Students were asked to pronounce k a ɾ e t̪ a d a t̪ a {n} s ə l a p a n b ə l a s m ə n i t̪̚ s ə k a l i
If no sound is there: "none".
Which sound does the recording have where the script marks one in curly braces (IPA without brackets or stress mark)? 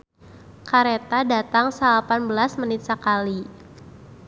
ŋ